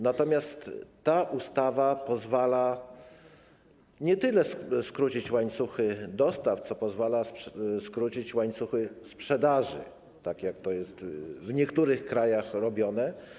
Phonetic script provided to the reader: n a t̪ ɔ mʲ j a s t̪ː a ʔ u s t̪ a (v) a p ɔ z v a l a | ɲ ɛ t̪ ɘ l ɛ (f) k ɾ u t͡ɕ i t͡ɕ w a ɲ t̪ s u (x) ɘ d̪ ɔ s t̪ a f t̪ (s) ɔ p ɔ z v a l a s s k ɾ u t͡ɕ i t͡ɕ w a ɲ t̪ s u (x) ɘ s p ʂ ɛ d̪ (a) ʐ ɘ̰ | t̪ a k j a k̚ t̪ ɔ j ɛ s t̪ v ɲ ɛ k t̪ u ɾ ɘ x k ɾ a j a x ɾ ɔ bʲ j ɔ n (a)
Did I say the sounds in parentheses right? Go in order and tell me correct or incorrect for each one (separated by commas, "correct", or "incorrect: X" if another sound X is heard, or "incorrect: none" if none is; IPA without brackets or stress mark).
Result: correct, incorrect: s, correct, correct, correct, correct, incorrect: ɛ